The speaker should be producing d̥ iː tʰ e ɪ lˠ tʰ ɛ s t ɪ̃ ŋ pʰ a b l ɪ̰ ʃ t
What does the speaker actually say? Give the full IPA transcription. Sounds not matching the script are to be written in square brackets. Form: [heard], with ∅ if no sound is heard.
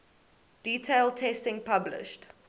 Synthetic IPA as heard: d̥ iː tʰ e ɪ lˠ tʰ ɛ s t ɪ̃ ŋ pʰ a b l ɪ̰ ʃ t

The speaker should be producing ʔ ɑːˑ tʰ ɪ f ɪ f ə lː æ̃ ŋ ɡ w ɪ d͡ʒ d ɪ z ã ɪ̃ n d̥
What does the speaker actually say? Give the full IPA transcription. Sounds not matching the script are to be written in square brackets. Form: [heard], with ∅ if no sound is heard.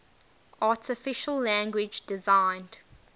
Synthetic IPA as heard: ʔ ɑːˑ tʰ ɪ f ɪ [ʃ] ə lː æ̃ ŋ ɡ w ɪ d͡ʒ d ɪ z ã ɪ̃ n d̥

